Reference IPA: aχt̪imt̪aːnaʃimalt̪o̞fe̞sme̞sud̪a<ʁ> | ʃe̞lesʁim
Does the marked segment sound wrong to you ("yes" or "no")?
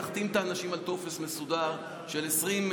no